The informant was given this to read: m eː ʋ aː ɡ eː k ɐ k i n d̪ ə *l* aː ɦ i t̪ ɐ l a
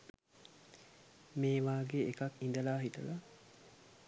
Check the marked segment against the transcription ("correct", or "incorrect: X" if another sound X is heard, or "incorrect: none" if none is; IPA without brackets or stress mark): correct